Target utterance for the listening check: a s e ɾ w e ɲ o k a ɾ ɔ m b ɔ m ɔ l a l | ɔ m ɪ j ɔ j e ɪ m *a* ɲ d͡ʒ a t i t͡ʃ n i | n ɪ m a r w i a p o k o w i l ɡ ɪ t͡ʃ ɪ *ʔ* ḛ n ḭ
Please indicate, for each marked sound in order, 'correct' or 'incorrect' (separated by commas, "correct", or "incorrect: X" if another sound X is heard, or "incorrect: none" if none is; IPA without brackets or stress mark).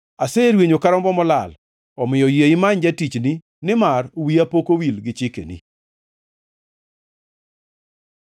correct, incorrect: k